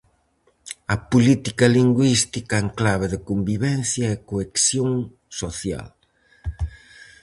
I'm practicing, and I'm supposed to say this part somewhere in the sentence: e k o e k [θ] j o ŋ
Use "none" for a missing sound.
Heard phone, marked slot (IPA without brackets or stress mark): s